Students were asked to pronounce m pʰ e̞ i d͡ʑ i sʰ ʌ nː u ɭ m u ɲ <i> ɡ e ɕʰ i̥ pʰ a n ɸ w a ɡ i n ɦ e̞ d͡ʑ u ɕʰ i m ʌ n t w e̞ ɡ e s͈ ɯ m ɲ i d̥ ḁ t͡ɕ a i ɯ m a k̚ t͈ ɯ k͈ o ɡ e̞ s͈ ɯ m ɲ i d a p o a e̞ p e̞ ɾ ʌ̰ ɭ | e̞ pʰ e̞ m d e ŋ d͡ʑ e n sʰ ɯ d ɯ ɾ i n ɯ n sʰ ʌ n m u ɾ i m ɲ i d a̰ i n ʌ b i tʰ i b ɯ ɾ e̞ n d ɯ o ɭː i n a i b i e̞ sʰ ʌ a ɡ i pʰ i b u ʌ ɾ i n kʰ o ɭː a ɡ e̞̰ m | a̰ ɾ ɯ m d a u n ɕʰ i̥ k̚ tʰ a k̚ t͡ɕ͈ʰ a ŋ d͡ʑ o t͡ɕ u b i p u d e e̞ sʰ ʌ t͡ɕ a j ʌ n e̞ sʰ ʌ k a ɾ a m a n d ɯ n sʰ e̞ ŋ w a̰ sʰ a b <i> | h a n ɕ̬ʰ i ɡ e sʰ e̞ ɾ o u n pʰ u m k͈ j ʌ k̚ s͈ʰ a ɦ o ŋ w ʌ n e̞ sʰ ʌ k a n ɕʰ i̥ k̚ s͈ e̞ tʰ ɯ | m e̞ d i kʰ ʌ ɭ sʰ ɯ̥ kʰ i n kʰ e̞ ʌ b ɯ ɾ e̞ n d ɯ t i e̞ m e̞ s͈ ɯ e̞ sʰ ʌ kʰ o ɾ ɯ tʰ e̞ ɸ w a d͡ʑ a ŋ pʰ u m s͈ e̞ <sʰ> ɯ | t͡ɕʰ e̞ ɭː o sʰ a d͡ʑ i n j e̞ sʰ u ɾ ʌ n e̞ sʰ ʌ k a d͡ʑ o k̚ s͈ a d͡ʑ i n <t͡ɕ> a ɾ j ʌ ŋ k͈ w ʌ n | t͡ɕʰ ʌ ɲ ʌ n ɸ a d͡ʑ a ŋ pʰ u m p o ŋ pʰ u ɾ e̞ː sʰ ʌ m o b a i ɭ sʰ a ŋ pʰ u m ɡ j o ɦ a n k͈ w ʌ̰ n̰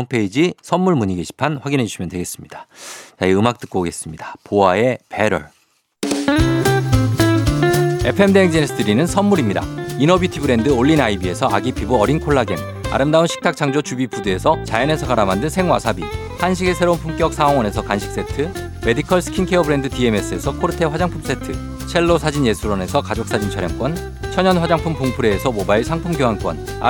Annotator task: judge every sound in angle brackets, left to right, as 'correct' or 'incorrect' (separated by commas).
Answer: correct, correct, incorrect, incorrect